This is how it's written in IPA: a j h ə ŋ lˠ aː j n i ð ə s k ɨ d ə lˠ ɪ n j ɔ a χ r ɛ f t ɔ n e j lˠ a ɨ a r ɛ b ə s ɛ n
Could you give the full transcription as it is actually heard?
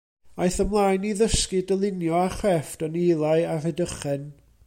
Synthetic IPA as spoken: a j θ ə m lˠ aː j n i ð ə s k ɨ d ə lˠ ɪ n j ɔ a χ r ɛ f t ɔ n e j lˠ a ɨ a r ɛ d ə χ ɛ n